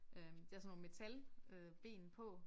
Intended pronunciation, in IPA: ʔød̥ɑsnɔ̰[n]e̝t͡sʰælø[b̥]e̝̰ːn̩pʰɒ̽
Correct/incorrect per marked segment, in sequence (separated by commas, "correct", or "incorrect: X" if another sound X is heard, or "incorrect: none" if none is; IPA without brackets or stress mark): incorrect: m, correct